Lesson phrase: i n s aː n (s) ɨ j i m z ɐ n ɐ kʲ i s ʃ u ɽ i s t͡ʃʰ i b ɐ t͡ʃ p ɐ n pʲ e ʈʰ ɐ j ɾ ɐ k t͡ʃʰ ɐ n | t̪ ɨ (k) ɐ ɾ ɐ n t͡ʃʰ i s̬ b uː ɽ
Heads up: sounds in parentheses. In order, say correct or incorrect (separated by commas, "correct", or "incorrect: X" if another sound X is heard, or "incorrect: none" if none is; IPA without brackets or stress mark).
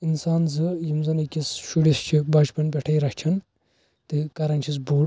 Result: incorrect: z, correct